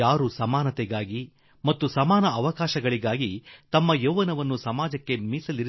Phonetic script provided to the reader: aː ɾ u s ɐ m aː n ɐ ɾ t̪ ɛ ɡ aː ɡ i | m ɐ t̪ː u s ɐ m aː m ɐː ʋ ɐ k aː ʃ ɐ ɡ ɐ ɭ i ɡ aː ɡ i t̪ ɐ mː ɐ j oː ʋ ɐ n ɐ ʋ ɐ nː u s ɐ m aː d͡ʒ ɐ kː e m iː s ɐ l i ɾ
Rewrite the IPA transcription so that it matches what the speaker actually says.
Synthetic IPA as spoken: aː ɾ u s ɐ m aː n ɐ t̪ ɛ ɡ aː ɡ i | m ɐ t̪ː u s ɐ m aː n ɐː ʋ ɐ k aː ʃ ɐ ɡ ɐ ɭ i ɡ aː ɡ i t̪ ɐ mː ɐ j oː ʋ ɐ n ɐ ʋ ɐ nː u s ɐ m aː d͡ʒ ɐ kː e m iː s ɐ l i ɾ